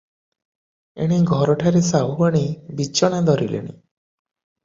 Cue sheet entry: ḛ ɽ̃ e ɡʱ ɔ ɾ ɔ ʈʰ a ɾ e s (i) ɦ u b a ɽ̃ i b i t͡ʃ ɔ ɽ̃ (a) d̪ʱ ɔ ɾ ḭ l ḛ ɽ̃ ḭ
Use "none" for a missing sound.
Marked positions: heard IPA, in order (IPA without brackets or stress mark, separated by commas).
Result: a, a